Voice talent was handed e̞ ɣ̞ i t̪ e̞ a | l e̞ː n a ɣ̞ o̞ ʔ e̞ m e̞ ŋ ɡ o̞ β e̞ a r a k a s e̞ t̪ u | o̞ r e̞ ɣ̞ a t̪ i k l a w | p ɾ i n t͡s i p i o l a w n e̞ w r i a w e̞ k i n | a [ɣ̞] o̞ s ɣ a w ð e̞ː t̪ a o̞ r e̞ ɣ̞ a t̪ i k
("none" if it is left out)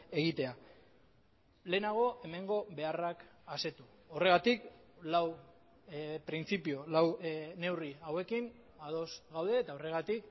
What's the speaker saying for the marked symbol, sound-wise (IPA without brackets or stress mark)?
ð̞